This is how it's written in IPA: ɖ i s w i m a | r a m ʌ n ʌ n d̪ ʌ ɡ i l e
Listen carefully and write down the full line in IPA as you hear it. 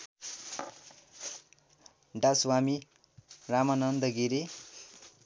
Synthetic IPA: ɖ a s w a m i | r a m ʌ n ʌ n d̪ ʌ ɡ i ɾ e